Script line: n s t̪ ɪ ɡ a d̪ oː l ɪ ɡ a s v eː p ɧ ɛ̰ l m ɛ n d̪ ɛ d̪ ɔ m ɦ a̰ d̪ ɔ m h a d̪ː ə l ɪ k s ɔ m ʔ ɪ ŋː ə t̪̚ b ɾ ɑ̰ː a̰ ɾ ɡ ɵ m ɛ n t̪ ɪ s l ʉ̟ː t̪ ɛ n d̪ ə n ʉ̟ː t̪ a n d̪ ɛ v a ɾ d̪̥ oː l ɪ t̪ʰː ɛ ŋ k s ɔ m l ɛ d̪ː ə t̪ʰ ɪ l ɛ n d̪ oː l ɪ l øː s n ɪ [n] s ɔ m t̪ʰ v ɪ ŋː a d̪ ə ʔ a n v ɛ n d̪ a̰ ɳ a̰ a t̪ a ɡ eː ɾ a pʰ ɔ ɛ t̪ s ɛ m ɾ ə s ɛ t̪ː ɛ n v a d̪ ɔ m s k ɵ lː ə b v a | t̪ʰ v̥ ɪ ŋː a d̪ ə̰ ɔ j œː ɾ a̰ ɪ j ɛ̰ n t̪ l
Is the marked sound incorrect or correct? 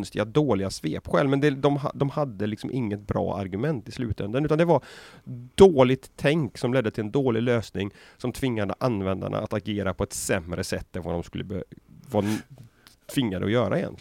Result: incorrect